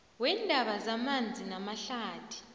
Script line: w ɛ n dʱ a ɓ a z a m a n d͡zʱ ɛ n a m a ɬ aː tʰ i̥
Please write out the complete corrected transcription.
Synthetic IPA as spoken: w ɛ n dʱ a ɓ a z a m a n d͡zʱ i n a m a ɬ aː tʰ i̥